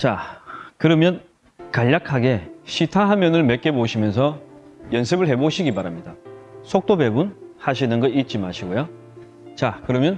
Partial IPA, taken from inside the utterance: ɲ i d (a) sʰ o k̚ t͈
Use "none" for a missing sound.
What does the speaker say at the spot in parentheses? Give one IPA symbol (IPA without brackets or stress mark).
a